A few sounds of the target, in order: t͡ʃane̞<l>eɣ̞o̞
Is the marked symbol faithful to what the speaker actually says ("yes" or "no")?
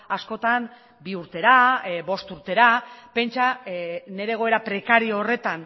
no